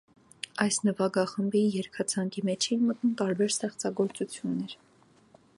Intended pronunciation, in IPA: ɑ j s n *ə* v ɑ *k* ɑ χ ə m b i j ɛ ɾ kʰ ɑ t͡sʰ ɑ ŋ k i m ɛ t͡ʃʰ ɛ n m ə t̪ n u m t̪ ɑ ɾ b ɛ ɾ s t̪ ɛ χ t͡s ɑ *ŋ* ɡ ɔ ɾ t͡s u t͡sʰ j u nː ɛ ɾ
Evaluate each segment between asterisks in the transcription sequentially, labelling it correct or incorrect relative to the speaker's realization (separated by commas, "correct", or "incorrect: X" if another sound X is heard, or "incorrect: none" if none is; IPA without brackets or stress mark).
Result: correct, incorrect: ɡ, incorrect: none